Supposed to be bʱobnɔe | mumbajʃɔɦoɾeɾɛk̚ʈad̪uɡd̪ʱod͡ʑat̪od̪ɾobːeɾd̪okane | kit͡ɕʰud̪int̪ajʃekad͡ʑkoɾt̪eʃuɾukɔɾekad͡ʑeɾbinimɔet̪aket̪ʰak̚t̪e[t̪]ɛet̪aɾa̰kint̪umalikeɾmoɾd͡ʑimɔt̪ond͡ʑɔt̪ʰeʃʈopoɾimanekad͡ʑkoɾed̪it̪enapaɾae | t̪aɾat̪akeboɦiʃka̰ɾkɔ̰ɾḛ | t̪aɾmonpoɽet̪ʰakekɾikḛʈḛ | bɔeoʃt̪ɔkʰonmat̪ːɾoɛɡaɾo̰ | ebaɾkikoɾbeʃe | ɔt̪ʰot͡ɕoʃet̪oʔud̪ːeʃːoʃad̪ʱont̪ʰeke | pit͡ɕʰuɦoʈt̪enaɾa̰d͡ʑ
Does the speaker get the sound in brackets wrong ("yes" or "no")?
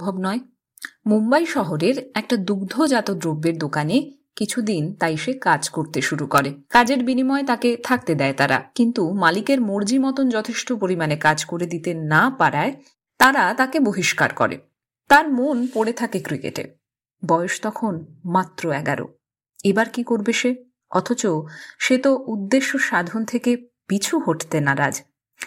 yes